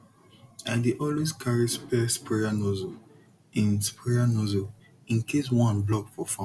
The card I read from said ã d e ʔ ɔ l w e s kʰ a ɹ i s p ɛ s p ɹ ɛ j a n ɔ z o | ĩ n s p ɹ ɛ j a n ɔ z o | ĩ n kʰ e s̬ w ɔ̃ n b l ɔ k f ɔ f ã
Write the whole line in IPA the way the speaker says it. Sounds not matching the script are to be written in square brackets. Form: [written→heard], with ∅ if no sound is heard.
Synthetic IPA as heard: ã d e ʔ ɔ l w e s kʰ a ɹ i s p ɛ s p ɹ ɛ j a n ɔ z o | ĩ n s p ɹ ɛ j a n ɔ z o | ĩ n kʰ e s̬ w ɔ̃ n b l ɔ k f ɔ f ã